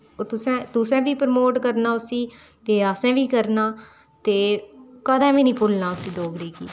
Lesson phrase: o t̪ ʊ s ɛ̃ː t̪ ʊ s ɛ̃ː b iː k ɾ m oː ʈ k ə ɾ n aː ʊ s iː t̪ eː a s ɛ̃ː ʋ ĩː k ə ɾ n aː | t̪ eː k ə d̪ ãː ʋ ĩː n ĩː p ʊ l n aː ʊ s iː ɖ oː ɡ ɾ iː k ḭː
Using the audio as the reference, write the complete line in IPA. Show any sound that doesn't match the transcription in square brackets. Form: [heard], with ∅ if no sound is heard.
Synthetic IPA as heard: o t̪ ʊ s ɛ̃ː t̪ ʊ s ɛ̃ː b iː [p] ɾ m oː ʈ k ə ɾ n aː ʊ s iː t̪ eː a s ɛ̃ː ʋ [iː] k ə ɾ n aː | t̪ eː k ə d̪ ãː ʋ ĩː n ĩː p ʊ l n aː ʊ s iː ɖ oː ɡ ɾ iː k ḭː

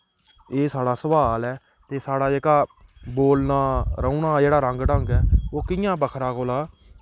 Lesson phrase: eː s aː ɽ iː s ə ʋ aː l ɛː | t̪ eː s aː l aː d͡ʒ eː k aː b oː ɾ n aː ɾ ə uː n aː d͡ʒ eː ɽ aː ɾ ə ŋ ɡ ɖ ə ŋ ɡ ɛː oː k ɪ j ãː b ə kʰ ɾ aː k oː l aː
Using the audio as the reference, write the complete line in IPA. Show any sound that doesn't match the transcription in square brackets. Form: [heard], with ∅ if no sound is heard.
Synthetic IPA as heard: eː s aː ɽ [aː] s ə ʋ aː l ɛː | t̪ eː s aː [ɽ] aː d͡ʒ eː k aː b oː [l] n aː ɾ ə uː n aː d͡ʒ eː ɽ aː ɾ ə ŋ ɡ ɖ ə ŋ ɡ ɛː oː k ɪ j ãː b ə kʰ ɾ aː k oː l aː

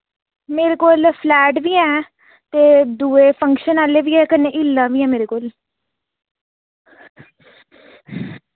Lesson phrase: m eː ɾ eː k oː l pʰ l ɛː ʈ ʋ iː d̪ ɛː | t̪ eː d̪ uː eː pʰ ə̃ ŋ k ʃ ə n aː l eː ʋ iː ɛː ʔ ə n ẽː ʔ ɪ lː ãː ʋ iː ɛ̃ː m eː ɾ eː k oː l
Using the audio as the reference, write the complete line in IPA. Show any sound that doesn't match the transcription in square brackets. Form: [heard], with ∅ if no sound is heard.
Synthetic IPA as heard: m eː ɾ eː k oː l pʰ l ɛː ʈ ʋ iː [∅] ɛː | t̪ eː d̪ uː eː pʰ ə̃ ŋ k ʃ ə n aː l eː ʋ iː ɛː [k] ə n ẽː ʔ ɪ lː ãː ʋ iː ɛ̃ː m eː ɾ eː k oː l

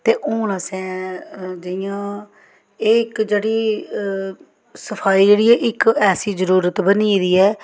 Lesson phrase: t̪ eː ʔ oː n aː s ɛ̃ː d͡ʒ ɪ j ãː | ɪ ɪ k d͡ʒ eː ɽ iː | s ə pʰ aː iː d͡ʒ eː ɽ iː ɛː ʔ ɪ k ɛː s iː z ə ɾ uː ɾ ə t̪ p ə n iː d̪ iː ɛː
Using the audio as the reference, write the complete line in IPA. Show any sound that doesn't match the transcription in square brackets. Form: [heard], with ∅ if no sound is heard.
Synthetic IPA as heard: t̪ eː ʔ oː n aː s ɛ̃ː d͡ʒ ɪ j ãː | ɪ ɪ k d͡ʒ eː ɽ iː | s ə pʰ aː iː d͡ʒ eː ɽ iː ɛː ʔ ɪ k ɛː s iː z ə ɾ uː ɾ ə t̪ [b] ə n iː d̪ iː ɛː

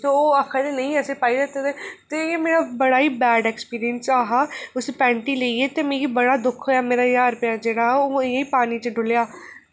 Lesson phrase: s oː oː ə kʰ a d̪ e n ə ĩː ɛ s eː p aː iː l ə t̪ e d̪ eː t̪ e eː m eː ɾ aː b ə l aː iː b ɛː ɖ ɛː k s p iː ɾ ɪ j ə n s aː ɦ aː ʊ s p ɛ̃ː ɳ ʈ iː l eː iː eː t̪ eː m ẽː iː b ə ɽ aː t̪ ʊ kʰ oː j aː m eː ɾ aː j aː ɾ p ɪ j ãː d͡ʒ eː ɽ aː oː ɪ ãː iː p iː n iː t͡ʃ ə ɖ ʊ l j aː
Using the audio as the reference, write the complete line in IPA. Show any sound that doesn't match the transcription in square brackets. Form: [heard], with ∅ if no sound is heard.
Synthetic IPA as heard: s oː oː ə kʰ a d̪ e n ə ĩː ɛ s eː p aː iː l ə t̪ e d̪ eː t̪ e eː m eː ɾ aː b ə [ɽ] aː iː b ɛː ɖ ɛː k s p iː ɾ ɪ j ə n s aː ɦ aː ʊ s p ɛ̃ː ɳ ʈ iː l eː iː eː t̪ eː m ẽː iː b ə ɽ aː [d̪] ʊ kʰ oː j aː m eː ɾ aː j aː ɾ p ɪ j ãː d͡ʒ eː ɽ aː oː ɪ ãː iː p [aː] n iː t͡ʃ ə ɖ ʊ l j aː

